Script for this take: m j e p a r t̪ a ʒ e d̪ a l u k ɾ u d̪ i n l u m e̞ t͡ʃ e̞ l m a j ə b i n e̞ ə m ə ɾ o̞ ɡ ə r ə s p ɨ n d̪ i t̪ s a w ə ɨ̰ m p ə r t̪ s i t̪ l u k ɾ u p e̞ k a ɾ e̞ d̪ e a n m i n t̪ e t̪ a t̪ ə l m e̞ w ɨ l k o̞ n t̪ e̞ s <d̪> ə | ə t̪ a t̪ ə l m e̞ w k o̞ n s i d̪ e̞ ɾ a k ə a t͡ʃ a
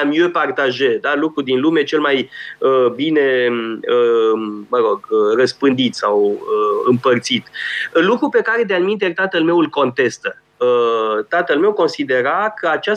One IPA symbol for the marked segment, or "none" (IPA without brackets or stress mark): t̪